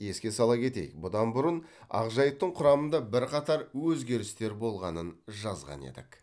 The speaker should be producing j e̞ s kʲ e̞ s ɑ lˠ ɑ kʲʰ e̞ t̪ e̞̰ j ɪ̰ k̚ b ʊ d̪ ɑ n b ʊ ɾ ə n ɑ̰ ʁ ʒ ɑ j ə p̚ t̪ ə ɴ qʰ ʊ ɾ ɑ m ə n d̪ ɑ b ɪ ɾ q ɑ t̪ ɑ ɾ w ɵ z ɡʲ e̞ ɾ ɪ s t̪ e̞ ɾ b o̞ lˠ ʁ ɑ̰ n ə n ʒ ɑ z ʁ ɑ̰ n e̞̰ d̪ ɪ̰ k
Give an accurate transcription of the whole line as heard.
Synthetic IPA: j e̞ s kʲ e̞ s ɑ lˠ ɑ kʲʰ e̞ t̪ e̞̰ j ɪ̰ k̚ b ʊ d̪ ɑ n b ʊ ɾ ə n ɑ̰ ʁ ʒ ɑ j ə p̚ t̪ ə ɴ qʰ ʊ ɾ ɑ m ə n d̪ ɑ b ɪ ɾ q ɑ t̪ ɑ ɾ w ɵ z ɡʲ e̞ ɾ ɪ s t̪ e̞ ɾ b o̞ lˠ ʁ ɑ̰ n ə n ʒ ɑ z ʁ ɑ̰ n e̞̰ d̪ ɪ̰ k